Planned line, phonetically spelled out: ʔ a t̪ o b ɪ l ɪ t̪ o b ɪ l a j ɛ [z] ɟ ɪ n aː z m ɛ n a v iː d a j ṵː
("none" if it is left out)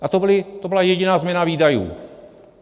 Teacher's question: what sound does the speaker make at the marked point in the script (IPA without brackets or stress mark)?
none